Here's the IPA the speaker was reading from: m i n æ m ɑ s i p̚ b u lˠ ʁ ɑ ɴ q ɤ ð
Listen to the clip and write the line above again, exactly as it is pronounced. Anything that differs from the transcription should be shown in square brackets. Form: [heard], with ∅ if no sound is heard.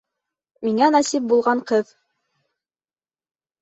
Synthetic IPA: m i [ŋ] æ [n] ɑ s i p̚ b u lˠ ʁ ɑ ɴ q ɤ ð